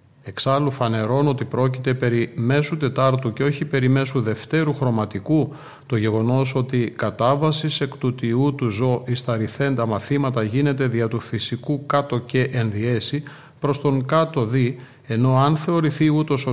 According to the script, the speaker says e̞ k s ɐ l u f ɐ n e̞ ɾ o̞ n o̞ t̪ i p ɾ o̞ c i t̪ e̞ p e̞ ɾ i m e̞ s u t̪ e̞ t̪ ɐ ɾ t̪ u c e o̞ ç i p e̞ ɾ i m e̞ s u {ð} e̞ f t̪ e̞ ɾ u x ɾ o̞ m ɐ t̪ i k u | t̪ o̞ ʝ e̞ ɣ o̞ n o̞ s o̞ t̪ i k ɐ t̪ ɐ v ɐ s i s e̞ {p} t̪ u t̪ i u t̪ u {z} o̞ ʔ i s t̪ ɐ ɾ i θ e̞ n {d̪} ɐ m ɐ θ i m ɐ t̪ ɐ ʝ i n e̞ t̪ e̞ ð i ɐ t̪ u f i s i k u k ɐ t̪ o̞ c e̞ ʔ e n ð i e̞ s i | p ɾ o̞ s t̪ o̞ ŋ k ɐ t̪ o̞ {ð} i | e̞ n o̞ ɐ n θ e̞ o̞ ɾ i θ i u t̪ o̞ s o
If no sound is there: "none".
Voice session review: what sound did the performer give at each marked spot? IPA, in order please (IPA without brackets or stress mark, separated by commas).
ð, k, z, d̪, ð